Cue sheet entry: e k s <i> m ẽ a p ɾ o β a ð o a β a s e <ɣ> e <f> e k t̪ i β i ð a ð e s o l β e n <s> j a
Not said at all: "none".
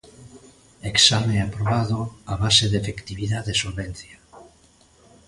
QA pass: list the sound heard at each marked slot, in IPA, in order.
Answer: a, ð, f, θ

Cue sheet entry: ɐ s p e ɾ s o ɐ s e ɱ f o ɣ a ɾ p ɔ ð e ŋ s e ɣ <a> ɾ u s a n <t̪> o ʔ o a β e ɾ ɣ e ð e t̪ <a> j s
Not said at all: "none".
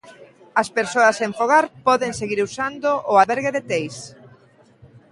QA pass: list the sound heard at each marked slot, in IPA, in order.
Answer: i, d̪, e

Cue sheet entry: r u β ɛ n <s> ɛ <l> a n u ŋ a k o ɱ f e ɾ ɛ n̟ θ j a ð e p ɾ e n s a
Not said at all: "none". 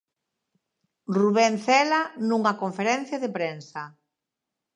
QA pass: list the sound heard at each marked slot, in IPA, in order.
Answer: θ, l

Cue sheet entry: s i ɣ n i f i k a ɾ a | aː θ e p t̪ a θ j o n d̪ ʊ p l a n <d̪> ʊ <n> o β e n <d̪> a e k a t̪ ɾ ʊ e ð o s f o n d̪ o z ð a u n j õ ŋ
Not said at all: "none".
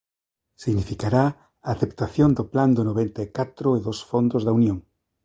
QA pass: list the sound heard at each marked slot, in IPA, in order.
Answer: d̪, n, t̪

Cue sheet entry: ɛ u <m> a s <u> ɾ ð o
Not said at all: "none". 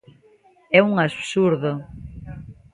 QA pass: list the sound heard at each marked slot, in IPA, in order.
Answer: ŋ, u

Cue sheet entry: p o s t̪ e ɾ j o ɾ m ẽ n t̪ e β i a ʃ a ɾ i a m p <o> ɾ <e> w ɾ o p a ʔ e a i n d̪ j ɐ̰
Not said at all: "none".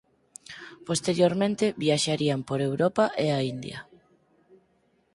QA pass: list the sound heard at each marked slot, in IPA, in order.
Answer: o, e

